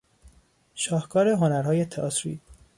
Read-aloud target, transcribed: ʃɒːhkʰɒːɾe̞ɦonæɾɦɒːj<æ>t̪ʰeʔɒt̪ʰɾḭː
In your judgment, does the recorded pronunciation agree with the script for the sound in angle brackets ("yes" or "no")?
no